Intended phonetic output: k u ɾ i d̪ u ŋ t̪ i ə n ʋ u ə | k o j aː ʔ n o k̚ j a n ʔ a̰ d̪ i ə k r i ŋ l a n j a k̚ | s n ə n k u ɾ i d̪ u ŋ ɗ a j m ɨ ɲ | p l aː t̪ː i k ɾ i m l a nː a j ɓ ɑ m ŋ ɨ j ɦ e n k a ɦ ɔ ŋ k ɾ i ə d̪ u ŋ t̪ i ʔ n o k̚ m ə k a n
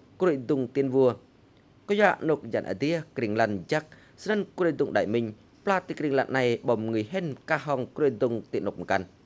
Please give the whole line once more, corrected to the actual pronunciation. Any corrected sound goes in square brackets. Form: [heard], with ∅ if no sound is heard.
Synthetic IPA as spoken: k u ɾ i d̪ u ŋ t̪ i ə n ʋ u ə | k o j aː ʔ n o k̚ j a n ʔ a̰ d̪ i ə k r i ŋ l a n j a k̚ | s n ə n k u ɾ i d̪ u ŋ ɗ a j m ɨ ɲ | p l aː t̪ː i k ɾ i [ŋ] l a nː a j ɓ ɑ m ŋ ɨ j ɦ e n k a ɦ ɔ ŋ k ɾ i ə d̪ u ŋ t̪ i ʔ n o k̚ m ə k a n